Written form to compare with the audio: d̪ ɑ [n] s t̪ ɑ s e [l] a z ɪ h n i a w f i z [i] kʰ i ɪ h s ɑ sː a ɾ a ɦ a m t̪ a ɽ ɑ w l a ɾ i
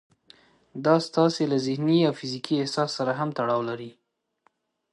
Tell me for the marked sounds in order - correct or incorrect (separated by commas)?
incorrect, correct, correct